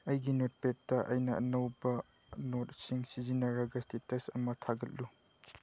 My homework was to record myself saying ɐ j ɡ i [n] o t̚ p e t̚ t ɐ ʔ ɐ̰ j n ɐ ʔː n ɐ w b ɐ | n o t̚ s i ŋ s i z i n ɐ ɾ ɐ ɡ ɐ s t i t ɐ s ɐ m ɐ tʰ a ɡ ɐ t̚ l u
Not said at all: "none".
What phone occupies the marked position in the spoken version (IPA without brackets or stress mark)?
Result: n